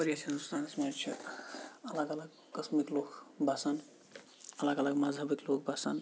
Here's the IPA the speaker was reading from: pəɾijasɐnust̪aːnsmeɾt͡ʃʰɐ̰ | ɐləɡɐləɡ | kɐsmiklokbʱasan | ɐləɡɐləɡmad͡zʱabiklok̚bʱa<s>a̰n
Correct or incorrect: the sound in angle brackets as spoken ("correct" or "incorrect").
correct